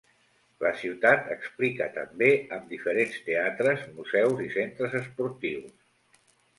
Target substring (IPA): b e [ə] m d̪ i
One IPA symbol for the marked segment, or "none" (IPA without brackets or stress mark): ə